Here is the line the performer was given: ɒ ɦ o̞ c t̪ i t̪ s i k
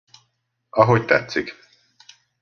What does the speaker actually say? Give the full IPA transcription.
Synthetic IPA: ɒ ɦ o̞ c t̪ ɛ t̪ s i k